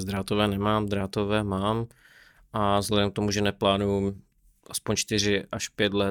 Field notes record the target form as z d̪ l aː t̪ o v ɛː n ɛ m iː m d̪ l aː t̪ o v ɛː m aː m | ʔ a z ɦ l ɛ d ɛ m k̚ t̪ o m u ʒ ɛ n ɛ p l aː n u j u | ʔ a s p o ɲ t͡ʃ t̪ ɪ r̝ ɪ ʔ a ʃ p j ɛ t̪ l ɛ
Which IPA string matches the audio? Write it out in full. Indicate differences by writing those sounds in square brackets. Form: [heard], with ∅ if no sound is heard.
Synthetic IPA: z d̪ [ɾ] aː t̪ o v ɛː n ɛ m [aː] m d̪ [ɾ] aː t̪ o v ɛː m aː m | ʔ a z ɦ l ɛ d ɛ m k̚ t̪ o m u ʒ ɛ n ɛ p l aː n u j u | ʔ a s p o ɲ t͡ʃ t̪ ɪ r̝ ɪ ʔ a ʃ p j ɛ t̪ l ɛ